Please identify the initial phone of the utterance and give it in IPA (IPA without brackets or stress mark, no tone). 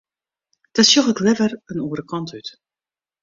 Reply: d̥